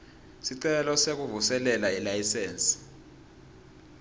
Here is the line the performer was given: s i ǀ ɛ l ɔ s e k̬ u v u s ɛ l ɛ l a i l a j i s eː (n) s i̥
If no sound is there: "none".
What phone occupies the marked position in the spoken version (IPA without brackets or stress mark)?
n